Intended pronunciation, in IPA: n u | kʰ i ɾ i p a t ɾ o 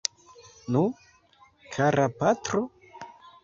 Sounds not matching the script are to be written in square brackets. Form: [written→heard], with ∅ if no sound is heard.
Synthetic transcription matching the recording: n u | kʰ [i→a] ɾ [i→a] p a t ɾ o